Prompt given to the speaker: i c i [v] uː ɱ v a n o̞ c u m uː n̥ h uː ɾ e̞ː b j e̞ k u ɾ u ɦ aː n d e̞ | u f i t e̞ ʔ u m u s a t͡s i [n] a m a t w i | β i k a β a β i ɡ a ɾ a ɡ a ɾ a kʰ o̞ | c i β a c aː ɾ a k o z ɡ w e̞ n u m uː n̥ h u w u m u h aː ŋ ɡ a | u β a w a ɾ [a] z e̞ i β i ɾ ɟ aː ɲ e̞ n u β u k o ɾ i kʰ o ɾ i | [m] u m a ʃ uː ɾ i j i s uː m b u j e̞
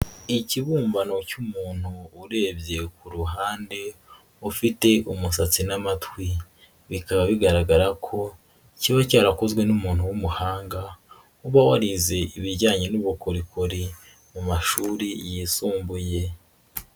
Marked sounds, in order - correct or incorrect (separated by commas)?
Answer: incorrect, correct, incorrect, correct